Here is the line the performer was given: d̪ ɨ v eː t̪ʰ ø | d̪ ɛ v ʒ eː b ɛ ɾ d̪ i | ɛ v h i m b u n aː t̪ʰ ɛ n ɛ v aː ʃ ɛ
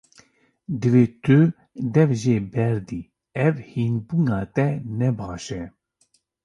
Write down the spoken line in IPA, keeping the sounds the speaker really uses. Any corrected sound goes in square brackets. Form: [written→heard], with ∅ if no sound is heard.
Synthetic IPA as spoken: d̪ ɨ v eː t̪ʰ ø | d̪ ɛ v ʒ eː b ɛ ɾ d̪ i | ɛ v h i [m→n] b u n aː [t̪ʰ→t̪] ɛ n ɛ [v→b] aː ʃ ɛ